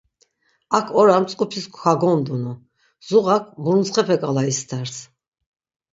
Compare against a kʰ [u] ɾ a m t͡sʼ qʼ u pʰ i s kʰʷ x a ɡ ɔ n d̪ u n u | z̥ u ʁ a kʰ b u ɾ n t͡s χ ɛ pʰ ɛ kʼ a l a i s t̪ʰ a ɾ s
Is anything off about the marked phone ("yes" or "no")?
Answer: yes